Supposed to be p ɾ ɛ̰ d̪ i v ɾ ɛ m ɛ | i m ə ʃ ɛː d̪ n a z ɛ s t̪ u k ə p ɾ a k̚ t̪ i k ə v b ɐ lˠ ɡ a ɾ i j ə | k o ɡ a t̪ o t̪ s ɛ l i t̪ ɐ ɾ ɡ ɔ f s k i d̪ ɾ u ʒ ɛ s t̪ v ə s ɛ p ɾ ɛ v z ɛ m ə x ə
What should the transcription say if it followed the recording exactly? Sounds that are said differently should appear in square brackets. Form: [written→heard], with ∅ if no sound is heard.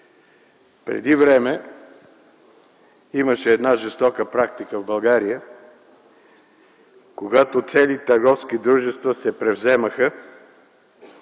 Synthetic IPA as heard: p ɾ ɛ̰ d̪ i v ɾ ɛ m ɛ | i m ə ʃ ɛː d̪ n a [z→ʒ] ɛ s t̪ [u→ɔ] k ə p ɾ a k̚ t̪ i k ə v b ɐ lˠ ɡ a ɾ i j ə | k o ɡ a t̪ o t̪ s ɛ l i t̪ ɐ ɾ ɡ ɔ f s k i d̪ ɾ u ʒ ɛ s t̪ v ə s ɛ p ɾ ɛ v z ɛ m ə x ə